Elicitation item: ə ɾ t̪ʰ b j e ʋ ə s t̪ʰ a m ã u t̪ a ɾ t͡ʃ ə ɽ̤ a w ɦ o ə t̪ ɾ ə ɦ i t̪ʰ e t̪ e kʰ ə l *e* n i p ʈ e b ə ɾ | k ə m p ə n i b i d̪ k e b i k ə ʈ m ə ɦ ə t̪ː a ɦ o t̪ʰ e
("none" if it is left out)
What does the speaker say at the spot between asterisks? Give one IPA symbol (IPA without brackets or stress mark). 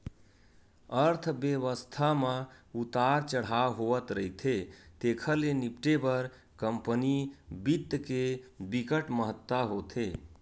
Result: e